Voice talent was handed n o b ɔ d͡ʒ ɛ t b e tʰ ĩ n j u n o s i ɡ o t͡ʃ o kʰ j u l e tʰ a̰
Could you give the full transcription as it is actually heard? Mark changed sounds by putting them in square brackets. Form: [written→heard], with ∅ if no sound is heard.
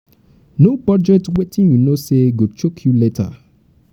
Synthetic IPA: n o b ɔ d͡ʒ ɛ t [b→w] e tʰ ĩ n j u n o s [i→e] ɡ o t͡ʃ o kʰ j u l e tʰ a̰